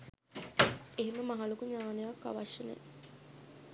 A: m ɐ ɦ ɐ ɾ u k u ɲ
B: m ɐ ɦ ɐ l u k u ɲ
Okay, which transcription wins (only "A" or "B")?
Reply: B